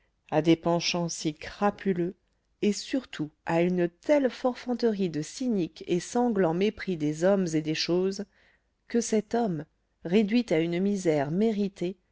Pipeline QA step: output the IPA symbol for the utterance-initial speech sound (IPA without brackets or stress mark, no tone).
a